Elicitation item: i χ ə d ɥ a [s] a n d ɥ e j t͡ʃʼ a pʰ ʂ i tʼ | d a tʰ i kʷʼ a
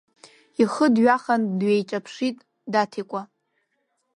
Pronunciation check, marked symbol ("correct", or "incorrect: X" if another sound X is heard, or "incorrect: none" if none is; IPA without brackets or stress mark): incorrect: χ